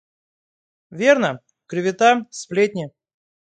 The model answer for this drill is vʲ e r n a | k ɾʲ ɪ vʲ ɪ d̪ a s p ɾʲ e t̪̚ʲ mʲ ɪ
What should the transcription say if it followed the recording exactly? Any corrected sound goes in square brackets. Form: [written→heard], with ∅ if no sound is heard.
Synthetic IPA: vʲ e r n [a→ə] | k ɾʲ ɪ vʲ ɪ [d̪→t̪] a s p [ɾʲ→lʲ] e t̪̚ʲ [mʲ→nʲ] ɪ